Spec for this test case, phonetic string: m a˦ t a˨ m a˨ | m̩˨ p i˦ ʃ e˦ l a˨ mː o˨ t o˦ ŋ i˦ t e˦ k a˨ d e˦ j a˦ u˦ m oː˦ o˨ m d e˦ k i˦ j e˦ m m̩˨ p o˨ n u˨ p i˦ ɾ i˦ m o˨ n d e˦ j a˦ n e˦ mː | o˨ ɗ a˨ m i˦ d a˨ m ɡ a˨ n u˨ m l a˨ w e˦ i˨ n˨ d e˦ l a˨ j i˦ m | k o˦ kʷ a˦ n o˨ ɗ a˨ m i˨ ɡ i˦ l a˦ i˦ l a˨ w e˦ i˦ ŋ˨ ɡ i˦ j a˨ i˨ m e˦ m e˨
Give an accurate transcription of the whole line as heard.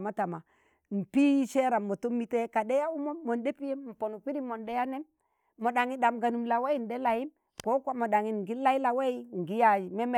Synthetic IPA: m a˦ t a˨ m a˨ | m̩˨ p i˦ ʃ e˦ ɾ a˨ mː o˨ t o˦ m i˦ t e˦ k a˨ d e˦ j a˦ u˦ m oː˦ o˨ n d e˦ p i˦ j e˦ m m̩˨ p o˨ n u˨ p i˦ ɾ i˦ m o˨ n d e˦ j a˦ n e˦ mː | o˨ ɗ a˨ ŋ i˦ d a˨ m ɡ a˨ n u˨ m l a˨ w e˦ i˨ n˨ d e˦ l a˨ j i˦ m | k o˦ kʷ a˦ m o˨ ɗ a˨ ŋ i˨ ɡ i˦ l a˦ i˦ l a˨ w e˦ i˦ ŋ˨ ɡ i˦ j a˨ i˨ m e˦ m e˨